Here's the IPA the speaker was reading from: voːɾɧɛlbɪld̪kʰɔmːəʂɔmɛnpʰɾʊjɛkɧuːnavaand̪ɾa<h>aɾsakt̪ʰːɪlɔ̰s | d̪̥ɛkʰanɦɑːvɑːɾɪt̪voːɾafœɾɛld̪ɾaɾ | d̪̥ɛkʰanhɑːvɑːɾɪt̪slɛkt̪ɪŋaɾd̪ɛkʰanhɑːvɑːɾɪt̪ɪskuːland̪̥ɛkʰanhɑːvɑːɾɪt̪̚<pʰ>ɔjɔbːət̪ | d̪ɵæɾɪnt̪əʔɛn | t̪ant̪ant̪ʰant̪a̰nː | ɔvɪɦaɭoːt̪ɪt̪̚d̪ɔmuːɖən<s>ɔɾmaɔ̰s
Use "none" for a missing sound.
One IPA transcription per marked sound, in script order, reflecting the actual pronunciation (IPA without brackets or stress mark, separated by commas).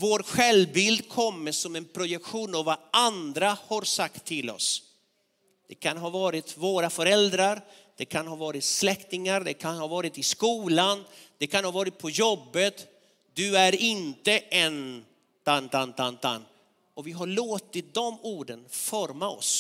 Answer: h, pʰ, f